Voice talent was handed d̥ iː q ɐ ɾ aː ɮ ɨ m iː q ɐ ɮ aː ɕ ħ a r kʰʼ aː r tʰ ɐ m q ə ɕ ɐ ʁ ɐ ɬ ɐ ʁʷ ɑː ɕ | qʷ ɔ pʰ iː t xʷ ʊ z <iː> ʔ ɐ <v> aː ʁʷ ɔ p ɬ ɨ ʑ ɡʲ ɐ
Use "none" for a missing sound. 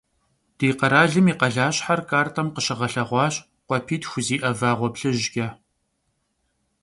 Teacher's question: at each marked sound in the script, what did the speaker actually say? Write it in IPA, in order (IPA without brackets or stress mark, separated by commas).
iː, v